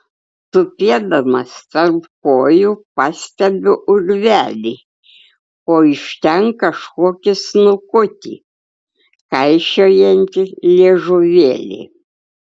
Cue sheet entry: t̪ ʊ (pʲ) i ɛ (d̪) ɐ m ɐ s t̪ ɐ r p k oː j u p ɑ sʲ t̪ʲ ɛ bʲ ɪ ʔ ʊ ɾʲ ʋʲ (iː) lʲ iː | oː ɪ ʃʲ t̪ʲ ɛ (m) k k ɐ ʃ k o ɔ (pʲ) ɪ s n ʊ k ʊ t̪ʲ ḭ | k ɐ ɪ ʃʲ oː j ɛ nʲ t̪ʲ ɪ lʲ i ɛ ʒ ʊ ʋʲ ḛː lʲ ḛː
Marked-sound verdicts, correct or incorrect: correct, correct, incorrect: æː, incorrect: ŋ, incorrect: kʲ

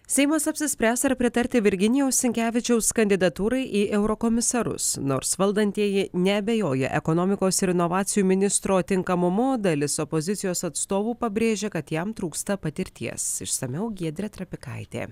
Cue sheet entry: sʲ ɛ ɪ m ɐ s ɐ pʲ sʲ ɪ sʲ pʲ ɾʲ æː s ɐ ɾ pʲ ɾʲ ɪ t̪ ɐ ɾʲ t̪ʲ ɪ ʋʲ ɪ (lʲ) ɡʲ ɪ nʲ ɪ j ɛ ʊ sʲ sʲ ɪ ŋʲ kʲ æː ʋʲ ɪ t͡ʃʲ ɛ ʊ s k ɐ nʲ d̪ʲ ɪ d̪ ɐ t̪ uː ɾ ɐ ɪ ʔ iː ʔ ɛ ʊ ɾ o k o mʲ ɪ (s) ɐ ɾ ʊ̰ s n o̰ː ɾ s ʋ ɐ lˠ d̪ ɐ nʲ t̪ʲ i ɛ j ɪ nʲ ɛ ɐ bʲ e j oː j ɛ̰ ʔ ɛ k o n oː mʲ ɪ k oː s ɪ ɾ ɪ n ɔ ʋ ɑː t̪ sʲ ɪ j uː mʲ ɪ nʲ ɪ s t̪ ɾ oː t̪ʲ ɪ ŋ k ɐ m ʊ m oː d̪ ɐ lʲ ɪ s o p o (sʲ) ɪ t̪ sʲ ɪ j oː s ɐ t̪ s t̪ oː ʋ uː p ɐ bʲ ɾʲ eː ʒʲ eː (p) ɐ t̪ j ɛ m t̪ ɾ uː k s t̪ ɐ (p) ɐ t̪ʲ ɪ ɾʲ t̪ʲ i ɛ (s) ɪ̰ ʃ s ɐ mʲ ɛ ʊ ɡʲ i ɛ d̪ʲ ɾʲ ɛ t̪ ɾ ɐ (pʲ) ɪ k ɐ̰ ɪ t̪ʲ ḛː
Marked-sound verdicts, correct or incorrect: incorrect: ɾʲ, correct, incorrect: zʲ, incorrect: k, correct, correct, correct

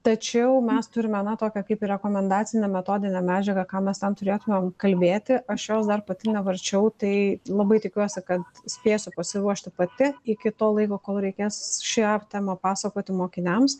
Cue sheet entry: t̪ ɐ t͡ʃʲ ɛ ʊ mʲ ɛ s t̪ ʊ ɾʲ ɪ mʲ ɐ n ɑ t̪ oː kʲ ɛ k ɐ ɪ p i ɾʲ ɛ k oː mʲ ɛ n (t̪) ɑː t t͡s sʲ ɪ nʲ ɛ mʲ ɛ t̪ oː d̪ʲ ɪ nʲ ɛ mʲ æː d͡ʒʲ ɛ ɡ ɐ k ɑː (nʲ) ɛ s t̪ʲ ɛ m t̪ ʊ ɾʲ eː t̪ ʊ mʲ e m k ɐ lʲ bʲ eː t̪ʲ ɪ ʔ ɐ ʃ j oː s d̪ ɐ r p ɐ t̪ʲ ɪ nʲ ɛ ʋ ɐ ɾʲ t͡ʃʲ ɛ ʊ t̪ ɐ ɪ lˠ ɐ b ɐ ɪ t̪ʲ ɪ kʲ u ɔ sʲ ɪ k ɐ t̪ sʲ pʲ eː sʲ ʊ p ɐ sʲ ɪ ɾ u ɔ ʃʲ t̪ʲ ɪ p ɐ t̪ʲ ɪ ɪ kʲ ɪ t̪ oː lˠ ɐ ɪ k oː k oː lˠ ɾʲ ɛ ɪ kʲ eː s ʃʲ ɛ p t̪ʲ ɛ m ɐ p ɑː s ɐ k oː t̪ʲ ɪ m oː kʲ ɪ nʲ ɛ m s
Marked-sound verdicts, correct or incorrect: incorrect: d̪, incorrect: mʲ

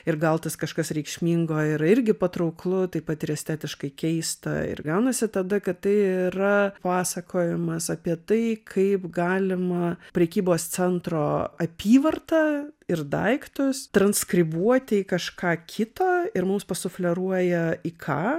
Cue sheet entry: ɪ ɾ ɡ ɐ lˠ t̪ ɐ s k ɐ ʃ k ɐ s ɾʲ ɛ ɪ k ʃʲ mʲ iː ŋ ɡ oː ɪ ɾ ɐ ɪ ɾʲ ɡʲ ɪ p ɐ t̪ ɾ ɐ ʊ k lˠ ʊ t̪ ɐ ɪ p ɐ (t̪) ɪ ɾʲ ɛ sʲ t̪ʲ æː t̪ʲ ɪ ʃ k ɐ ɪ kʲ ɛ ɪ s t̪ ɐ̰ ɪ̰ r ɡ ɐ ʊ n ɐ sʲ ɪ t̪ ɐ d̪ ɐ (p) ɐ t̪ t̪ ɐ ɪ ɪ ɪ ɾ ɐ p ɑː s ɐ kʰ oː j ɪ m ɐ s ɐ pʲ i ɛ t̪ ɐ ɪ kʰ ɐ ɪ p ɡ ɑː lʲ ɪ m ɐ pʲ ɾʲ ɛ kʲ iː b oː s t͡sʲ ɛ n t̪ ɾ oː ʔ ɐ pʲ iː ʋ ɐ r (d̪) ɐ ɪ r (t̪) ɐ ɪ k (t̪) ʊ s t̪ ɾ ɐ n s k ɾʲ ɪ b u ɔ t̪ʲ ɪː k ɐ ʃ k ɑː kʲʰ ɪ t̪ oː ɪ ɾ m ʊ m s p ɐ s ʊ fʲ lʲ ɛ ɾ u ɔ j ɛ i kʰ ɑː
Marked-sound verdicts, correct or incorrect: correct, incorrect: k, incorrect: t̪, incorrect: d̪, correct

